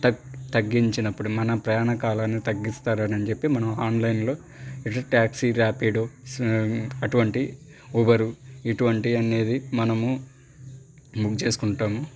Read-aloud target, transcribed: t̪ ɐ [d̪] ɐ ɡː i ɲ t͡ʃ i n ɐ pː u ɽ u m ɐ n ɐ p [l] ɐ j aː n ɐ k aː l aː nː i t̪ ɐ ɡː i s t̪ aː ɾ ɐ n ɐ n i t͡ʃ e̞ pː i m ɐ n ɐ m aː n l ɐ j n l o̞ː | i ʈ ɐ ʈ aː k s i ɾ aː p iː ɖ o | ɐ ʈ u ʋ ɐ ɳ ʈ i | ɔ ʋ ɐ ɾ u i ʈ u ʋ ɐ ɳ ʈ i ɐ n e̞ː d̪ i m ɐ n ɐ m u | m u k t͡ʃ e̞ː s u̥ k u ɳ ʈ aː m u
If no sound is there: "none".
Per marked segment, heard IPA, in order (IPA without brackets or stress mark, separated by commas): t̪, ɾ